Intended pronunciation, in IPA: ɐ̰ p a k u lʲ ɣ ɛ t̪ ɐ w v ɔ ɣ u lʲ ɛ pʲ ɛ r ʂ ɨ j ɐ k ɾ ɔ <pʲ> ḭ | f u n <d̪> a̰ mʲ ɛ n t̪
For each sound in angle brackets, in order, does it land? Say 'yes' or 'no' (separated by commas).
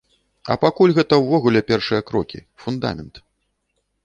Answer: no, yes